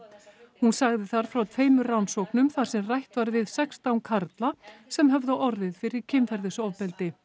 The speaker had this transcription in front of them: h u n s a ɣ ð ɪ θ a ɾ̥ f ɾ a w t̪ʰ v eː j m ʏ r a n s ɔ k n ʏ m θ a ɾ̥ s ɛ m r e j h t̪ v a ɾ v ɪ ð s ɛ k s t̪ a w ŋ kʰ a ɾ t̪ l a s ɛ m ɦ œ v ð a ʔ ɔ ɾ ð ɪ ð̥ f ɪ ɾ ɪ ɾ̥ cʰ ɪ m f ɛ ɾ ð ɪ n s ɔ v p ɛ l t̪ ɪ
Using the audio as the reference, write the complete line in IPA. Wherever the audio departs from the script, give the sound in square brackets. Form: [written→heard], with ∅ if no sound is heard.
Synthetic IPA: h u n s a ɣ ð ɪ θ a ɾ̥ f ɾ a w t̪ʰ v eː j m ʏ r a n s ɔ k n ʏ m θ a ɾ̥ s ɛ m r [e→a] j h t̪ v a ɾ v ɪ ð s ɛ k s t̪ a w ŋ kʰ a ɾ t̪ l a s ɛ m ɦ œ v ð a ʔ ɔ ɾ ð ɪ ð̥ f ɪ ɾ ɪ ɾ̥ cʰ ɪ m f ɛ ɾ ð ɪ [n→∅] s ɔ v p ɛ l t̪ ɪ